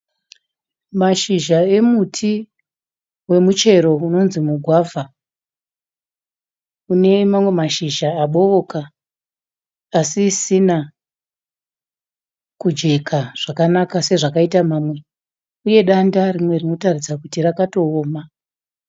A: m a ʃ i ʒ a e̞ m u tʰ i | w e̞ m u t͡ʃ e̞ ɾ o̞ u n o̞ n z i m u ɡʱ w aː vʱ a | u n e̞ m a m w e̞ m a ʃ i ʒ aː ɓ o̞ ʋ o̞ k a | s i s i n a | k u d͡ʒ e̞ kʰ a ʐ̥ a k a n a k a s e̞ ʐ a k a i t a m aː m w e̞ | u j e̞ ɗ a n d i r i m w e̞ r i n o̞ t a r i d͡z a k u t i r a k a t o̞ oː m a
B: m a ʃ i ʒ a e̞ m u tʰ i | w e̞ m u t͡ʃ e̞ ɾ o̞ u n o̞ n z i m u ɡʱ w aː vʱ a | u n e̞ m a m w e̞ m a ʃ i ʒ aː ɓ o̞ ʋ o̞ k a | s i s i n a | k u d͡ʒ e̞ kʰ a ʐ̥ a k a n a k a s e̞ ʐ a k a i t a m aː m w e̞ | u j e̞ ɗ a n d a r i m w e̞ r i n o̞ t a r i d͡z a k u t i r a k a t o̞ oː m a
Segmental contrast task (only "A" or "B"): B